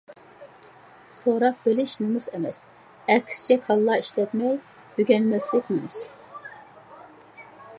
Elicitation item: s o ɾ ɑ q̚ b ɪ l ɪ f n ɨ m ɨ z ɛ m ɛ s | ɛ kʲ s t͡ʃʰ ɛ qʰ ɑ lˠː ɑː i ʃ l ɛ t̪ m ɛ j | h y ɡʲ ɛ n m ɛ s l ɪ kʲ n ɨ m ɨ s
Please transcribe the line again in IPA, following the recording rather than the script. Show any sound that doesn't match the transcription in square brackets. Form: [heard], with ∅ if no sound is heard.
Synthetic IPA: s o ɾ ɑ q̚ b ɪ l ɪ [ʃ] n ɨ m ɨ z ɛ m ɛ s | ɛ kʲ s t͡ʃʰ ɛ [kʰ] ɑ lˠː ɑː i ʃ l ɛ t̪ m ɛ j | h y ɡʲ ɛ n m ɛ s l ɪ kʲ n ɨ m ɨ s